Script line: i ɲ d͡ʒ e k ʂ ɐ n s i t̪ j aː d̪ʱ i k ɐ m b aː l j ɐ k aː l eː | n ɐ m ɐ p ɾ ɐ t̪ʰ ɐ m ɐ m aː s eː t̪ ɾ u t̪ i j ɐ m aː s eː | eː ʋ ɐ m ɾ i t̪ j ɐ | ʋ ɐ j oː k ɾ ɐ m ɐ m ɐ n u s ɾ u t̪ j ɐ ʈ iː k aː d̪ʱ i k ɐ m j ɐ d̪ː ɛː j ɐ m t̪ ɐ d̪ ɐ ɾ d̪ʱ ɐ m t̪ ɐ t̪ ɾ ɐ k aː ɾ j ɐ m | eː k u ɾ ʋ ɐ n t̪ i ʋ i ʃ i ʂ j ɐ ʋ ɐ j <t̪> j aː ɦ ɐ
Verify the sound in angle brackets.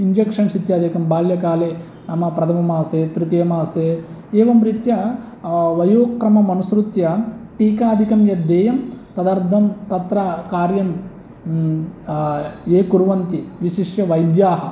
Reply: incorrect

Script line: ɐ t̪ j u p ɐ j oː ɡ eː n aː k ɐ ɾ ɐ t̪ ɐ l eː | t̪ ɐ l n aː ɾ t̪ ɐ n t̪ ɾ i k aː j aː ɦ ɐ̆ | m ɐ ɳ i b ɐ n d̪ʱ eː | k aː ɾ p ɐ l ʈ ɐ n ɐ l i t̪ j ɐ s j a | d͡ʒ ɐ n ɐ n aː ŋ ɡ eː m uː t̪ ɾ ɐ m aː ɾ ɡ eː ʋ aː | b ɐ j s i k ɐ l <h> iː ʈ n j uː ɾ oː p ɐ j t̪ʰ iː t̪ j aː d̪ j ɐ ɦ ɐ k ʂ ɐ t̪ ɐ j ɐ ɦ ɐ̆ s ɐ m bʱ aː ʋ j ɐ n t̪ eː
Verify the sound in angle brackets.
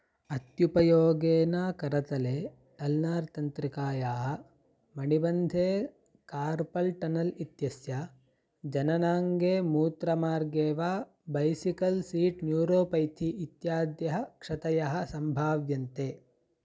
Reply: incorrect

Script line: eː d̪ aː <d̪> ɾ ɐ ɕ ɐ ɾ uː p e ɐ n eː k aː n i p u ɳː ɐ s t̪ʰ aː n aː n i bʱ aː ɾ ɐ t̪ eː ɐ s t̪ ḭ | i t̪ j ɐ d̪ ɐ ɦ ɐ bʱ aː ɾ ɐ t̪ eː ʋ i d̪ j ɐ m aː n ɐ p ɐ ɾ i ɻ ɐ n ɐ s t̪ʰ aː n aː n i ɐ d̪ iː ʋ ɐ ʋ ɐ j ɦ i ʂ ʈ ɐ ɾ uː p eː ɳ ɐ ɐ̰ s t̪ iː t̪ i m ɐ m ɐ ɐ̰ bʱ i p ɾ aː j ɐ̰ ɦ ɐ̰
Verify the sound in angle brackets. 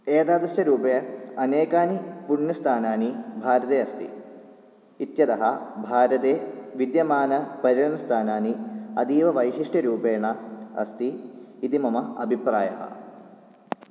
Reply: correct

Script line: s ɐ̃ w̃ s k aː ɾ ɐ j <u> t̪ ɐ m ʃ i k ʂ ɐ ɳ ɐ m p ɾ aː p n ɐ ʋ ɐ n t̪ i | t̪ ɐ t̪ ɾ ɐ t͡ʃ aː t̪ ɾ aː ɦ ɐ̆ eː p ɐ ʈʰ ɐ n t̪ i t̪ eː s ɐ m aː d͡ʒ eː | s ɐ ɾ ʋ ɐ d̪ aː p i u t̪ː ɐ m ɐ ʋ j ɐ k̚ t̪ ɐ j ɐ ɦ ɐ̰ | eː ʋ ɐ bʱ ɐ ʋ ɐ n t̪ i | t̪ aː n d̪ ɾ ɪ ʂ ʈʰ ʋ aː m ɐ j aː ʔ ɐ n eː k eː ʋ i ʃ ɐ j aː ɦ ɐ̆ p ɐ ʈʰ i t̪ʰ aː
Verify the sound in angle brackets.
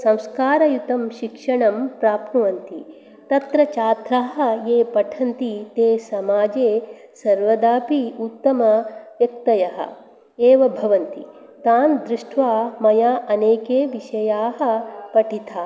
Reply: correct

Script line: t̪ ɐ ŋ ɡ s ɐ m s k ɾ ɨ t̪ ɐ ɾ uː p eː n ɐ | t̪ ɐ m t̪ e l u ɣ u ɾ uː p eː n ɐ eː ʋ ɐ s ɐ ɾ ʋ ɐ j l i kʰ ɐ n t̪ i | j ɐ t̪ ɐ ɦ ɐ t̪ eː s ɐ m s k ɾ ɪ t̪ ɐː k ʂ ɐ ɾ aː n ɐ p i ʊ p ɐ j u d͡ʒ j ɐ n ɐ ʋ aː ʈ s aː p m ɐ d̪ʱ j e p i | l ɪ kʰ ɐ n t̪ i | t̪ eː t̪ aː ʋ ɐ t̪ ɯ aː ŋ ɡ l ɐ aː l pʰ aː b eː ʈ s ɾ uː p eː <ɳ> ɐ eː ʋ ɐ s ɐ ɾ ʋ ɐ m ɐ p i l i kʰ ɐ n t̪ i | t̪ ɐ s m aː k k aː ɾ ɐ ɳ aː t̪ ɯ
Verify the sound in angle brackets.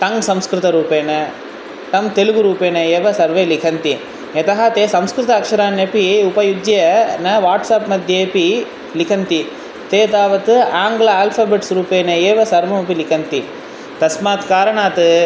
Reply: incorrect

